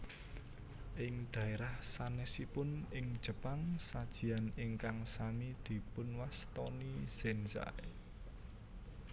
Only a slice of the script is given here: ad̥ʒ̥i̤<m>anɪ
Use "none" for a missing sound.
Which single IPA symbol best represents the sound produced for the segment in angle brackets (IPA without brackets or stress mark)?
none